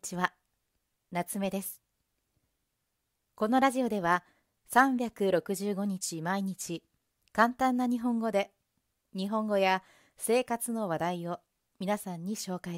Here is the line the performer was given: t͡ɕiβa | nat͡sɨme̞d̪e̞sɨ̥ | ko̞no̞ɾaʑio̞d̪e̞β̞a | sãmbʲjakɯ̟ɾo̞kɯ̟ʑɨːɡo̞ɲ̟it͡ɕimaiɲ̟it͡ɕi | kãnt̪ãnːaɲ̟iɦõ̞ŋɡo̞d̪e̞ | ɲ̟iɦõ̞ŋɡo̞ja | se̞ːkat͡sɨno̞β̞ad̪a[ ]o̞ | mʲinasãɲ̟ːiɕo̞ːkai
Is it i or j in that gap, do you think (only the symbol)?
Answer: i